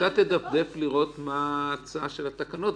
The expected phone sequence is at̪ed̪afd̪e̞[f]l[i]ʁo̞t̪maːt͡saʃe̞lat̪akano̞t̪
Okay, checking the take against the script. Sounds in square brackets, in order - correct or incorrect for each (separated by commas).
correct, correct